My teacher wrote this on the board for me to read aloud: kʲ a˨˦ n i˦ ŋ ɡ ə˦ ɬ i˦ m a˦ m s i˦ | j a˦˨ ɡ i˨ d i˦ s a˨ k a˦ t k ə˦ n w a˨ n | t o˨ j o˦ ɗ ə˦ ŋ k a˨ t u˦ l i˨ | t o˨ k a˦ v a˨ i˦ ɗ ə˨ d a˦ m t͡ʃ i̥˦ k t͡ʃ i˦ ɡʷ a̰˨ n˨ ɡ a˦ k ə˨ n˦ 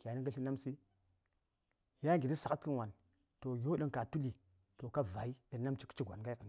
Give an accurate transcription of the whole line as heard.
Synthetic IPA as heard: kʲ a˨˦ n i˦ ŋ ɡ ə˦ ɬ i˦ n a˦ m s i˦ | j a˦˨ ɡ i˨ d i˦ s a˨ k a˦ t k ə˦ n w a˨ n | t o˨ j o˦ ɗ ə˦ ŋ k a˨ t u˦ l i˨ | t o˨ k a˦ v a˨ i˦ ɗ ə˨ n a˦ m t͡ʃ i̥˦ k t͡ʃ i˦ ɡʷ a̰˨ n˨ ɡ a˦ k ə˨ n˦